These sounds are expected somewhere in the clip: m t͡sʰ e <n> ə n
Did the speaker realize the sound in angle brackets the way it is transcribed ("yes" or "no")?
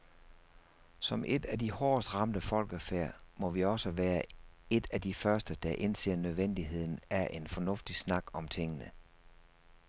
no